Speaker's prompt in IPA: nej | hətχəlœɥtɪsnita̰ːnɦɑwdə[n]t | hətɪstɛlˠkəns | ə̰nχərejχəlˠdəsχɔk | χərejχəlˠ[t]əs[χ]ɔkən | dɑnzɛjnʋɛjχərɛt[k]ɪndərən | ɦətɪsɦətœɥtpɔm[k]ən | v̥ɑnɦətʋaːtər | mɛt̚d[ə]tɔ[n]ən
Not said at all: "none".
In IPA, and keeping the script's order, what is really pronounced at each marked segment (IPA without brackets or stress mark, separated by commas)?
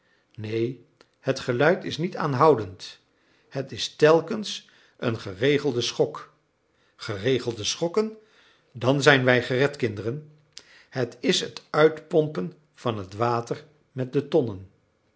n, d, χ, k, p, ə, n